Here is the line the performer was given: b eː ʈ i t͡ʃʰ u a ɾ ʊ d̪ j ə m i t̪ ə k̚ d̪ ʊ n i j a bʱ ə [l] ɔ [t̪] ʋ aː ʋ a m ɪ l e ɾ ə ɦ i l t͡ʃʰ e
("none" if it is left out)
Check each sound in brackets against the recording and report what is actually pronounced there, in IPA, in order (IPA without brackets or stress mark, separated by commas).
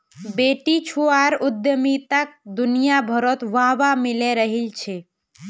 ɾ, t̪